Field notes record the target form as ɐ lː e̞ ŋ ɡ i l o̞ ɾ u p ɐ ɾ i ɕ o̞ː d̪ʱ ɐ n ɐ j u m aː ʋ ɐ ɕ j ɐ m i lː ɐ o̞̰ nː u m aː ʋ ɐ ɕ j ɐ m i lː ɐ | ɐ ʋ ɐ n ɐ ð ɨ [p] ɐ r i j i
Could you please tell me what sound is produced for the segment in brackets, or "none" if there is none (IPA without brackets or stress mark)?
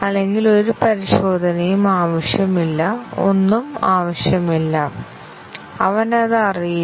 none